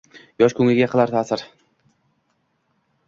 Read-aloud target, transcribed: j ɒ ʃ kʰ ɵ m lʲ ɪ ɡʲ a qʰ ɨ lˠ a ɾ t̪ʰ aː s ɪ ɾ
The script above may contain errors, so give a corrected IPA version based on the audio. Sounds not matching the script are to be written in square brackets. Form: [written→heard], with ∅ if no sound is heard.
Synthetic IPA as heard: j ɒ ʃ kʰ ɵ [m→ŋ] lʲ ɪ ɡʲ a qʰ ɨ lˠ a ɾ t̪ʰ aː s ɪ ɾ